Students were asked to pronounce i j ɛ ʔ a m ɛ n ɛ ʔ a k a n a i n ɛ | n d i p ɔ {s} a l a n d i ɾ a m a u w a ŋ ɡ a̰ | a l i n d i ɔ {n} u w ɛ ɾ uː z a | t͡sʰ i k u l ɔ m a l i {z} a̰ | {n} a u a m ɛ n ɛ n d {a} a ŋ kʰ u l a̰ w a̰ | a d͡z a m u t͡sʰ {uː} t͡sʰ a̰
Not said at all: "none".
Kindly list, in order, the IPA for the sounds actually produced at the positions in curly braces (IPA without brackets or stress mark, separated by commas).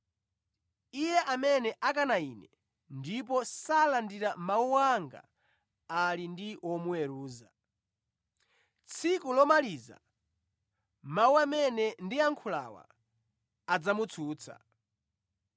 s, m, z, m, i, uː